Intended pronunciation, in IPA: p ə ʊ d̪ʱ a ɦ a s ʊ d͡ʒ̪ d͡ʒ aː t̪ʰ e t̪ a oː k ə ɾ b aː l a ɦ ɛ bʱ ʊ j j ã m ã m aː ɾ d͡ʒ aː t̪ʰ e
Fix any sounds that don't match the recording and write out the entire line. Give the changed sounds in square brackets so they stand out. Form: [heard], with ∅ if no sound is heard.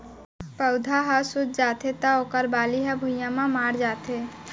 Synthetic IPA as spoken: p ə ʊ d̪ʱ a ɦ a s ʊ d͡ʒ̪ d͡ʒ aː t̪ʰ e t̪ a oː k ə ɾ b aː l [i] ɦ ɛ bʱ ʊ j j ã m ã m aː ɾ d͡ʒ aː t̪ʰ e